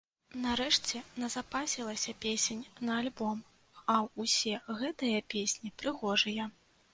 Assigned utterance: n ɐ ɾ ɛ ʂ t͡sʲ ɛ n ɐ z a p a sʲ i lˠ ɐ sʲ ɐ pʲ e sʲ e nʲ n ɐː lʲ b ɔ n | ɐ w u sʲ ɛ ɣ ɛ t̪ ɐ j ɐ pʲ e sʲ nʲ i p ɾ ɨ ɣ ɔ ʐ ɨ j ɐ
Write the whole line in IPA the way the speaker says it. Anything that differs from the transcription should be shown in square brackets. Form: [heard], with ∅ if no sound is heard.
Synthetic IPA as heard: n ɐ ɾ ɛ ʂ t͡sʲ ɛ n ɐ z a p a sʲ i lˠ ɐ sʲ ɐ pʲ e sʲ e nʲ n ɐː lʲ b ɔ [m] | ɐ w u sʲ ɛ ɣ ɛ t̪ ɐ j ɐ pʲ e sʲ nʲ i p ɾ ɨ ɣ ɔ ʐ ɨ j ɐ